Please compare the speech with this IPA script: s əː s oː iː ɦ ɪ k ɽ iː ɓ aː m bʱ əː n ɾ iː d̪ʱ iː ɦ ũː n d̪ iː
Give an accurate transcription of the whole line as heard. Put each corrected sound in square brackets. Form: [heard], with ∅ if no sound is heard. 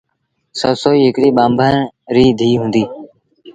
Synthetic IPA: s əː s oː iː ɦ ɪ k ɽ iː ɓ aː m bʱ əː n ɾ iː d̪ʱ iː ɦ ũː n d̪ iː

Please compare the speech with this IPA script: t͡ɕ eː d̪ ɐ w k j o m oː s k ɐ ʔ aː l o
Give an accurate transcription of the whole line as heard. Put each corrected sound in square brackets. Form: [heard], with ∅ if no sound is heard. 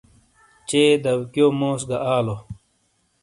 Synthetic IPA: t͡ɕ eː d̪ ɐ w k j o m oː s [ɡ] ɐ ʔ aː l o

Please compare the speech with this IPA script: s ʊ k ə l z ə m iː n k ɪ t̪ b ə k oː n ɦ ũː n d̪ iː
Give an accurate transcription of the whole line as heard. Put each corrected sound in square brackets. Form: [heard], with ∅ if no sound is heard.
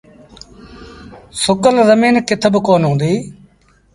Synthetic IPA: s ʊ k ə l z ə m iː n k ɪ [t̪ʰ] b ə k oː n ɦ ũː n d̪ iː

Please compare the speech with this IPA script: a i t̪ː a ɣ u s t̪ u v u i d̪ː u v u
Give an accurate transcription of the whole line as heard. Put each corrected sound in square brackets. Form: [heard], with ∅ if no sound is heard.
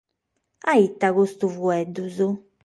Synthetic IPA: a i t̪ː a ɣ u s t̪ u v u [ɛ] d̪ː u [z] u

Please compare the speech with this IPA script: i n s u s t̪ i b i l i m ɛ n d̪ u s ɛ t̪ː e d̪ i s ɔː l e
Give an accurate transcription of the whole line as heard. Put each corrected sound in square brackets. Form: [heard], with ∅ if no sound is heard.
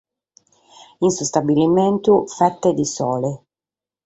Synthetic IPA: i n s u s t̪ [a] b i l i m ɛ n [t̪] u [f] ɛ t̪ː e d̪ i s ɔː l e

